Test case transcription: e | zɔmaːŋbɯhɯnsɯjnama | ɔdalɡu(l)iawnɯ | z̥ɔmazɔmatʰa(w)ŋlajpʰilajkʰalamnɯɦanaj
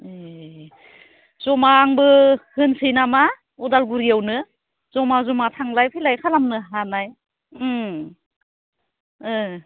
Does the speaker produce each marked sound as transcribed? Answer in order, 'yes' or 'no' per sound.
no, no

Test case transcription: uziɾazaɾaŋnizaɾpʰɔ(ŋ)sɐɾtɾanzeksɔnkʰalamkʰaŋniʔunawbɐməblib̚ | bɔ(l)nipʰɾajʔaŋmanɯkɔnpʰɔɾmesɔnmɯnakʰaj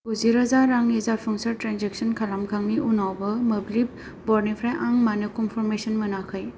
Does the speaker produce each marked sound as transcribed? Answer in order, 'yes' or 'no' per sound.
yes, no

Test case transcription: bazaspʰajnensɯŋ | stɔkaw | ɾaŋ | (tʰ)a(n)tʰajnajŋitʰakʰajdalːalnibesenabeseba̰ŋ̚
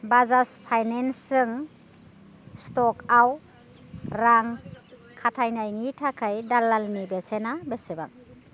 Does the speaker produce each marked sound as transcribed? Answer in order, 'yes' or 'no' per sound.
no, no

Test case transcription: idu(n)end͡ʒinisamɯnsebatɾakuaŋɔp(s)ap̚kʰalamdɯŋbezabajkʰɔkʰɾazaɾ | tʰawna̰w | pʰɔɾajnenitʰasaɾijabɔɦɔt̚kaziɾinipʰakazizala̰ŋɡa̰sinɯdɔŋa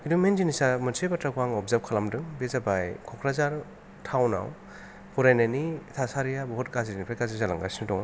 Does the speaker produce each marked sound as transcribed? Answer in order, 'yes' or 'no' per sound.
no, no

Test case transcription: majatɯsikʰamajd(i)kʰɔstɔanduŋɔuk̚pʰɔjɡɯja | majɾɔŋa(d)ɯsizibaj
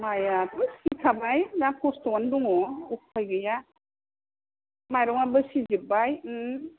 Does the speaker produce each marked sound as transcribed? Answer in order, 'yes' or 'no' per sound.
no, no

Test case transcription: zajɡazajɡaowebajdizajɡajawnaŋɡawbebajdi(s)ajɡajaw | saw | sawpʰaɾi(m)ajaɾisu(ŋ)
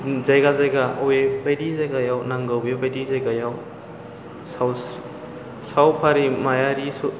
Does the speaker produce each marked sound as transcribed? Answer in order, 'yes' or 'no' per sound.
no, yes, no

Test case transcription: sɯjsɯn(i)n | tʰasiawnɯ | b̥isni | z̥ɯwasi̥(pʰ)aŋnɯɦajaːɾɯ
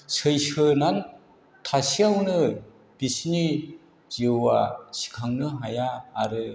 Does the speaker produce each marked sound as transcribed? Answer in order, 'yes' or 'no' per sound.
no, no

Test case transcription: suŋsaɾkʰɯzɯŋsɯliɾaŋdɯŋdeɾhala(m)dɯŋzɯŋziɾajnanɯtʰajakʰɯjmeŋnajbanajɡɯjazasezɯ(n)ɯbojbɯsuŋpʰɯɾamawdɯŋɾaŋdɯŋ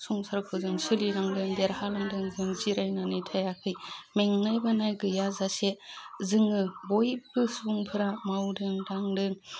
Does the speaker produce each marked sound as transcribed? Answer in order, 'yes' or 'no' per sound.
no, no

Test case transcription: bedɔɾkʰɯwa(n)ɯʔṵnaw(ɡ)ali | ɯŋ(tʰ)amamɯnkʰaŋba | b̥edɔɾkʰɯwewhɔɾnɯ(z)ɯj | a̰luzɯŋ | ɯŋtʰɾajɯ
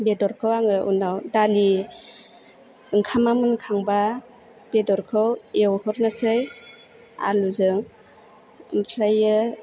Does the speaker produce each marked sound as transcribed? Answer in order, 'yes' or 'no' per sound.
no, no, no, no

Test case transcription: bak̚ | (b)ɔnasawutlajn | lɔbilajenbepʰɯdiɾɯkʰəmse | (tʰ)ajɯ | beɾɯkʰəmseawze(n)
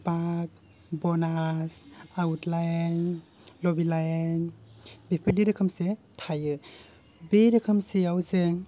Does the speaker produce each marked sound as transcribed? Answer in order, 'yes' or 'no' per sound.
yes, yes, no

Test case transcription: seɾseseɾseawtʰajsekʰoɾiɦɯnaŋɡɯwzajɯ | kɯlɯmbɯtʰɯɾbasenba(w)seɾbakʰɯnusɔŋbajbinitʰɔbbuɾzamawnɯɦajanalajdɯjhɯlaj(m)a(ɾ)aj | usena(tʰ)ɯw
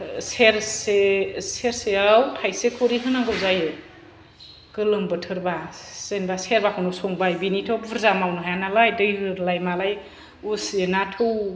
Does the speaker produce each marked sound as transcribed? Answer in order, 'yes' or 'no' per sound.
no, yes, no, yes

